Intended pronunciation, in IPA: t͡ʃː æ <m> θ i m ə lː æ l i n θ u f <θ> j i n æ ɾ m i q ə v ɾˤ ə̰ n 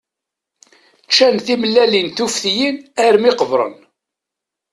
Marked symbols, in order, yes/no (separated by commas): no, yes